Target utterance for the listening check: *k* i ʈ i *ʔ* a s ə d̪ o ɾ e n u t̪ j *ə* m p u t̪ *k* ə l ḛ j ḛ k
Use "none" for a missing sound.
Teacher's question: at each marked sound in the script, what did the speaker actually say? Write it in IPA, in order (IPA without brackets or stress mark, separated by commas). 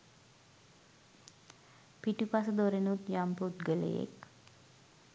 p, p, a, ɡ